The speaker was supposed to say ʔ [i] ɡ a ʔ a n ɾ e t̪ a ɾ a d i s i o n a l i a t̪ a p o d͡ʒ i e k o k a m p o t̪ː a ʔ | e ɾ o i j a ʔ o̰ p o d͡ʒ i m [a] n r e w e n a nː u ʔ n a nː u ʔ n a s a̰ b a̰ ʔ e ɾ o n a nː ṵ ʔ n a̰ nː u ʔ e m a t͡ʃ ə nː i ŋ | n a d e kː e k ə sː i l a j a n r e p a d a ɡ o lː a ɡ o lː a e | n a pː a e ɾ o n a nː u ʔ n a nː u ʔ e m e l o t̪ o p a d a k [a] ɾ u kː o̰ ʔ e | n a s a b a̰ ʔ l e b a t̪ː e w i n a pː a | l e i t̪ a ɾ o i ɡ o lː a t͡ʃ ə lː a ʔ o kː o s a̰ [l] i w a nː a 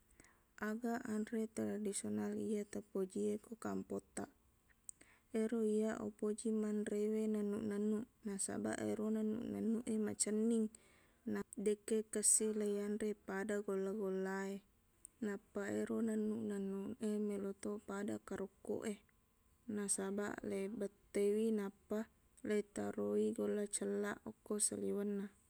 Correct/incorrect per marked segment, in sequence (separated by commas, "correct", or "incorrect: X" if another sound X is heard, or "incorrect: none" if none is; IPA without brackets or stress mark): incorrect: a, correct, correct, correct